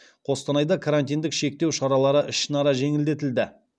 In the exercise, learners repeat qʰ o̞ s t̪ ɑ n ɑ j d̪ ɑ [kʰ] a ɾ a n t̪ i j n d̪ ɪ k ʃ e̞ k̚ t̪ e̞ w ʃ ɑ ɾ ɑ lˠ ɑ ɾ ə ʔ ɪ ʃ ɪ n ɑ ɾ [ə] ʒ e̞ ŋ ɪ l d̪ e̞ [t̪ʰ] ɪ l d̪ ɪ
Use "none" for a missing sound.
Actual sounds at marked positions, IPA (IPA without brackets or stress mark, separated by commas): kʰ, ɑ, t̪